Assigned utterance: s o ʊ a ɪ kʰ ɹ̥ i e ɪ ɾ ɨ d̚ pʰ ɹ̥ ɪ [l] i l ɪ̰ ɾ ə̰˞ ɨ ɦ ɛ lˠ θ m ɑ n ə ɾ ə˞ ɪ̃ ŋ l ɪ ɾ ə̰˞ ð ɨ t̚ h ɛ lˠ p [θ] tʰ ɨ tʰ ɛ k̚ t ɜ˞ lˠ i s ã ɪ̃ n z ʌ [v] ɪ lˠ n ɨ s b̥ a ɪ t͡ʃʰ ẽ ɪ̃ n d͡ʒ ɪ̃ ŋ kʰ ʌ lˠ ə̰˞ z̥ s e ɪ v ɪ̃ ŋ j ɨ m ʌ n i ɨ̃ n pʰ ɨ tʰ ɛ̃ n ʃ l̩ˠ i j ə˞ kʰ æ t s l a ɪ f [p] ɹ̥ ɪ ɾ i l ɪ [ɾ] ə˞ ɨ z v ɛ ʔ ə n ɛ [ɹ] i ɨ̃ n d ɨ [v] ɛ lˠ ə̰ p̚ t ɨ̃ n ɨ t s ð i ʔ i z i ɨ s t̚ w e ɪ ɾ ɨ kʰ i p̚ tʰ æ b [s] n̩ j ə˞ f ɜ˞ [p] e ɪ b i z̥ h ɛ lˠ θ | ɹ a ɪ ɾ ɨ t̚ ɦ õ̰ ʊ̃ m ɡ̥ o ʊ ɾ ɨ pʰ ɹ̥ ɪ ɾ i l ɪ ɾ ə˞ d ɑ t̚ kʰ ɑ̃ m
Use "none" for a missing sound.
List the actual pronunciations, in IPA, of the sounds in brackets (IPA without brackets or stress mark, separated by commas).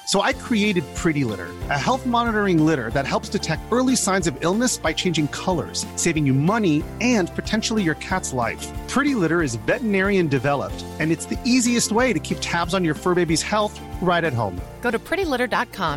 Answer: ɾ, s, v, pʰ, ɾ, ɹ, v, z, b